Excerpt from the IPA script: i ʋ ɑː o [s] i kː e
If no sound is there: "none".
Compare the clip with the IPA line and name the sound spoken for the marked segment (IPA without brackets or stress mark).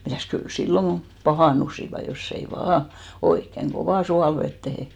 none